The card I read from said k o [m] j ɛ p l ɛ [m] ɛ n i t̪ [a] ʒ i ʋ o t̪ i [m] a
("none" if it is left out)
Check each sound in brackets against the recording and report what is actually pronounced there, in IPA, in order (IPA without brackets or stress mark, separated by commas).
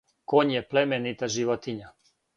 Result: ɲ, m, a, ɲ